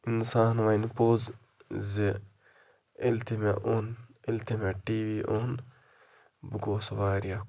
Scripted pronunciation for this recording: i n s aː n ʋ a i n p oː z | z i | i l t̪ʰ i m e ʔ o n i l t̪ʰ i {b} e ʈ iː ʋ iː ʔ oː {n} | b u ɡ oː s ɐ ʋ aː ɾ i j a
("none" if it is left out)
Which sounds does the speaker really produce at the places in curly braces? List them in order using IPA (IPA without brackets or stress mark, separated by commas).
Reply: m, n